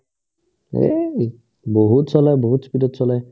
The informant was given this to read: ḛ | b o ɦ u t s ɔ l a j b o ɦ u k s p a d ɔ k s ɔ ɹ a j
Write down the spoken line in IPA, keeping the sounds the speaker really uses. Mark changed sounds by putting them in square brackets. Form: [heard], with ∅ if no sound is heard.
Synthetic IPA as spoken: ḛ | b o ɦ u t s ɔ l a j b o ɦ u [t] s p [i] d ɔ [t] s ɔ [l] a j